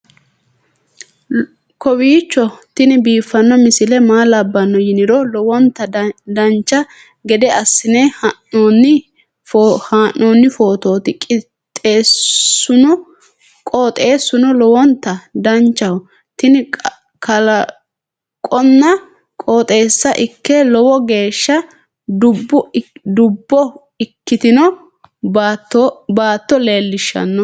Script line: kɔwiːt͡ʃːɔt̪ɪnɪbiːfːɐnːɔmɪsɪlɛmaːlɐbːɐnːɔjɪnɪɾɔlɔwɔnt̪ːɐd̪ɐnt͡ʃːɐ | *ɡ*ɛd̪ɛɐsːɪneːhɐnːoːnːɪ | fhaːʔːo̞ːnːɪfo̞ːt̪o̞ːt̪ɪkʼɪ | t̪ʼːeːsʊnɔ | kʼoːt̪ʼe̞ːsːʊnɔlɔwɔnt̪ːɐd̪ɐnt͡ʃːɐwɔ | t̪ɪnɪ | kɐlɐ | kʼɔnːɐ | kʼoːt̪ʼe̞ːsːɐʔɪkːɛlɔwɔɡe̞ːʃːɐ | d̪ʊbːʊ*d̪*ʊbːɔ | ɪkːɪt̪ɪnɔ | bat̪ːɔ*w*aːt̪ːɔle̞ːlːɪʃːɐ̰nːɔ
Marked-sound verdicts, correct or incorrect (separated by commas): correct, correct, incorrect